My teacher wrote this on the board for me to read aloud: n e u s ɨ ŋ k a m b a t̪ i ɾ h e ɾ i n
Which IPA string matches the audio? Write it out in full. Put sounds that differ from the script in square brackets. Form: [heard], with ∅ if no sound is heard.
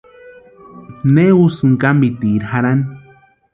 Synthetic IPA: n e u s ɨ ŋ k a m b [i] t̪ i ɾ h [a] ɾ [a] n